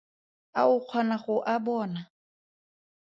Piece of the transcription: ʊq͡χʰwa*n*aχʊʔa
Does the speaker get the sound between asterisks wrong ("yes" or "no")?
no